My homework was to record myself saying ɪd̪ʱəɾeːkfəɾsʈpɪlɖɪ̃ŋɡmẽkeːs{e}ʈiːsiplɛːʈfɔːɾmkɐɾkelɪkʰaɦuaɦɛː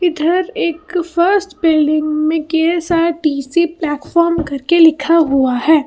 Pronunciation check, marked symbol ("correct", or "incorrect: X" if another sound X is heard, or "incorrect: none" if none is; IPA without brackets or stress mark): incorrect: a